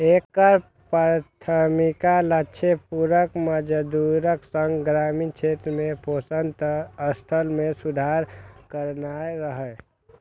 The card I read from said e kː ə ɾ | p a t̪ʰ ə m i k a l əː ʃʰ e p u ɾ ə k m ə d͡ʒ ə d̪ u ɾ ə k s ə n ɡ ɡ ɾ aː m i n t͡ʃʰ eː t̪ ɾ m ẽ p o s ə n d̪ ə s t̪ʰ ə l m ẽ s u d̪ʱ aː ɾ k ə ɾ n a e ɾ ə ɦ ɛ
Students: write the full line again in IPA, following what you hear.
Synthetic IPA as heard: e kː ə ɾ | p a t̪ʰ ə m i k a l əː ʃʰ e p u ɾ ə k m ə d͡ʒ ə d̪ u ɾ ə k s ə ŋ ɡ ɡ ɾ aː m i n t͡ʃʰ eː t̪ ɾ m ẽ p o s ə n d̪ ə s t̪ʰ ə l m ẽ s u d̪ʱ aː ɾ k ə ɾ n a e ɾ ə ɦ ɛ

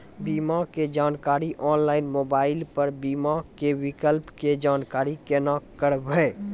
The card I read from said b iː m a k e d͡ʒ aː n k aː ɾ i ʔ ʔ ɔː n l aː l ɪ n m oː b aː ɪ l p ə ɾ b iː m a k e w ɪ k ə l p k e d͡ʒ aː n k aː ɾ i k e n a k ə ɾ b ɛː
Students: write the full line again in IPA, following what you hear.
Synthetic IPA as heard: b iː m a k e d͡ʒ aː n k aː ɾ i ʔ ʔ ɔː n l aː ɪ n m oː b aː ɪ l p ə ɾ b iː m a k e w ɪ k ə l p k e d͡ʒ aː n k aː ɾ i k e n a k ə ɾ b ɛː

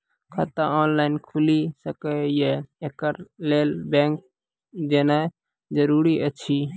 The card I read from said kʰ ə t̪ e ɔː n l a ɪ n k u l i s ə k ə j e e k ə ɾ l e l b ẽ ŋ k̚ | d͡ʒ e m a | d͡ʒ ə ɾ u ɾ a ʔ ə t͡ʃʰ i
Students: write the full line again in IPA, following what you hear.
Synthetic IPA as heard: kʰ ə t̪ a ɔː n l a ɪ n kʰ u l i s ə k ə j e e k ə ɾ l e l b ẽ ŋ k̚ | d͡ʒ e n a | d͡ʒ ə ɾ u ɾ i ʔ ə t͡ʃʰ i

